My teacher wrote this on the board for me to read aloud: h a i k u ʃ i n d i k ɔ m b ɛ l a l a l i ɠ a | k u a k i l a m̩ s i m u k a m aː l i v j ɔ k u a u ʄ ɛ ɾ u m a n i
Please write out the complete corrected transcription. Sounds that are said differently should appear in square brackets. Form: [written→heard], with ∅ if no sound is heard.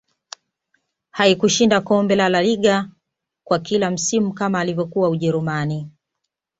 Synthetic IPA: h a i k u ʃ i n d [i→a] k ɔ m b ɛ l a l a l i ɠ a | k [u→w] a k i l a m̩ s i m u k a m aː l i v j ɔ k u a u ʄ ɛ ɾ u m a n i